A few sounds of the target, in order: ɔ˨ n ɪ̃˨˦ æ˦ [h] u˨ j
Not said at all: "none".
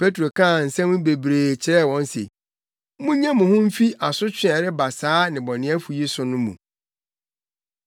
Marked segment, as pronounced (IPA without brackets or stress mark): f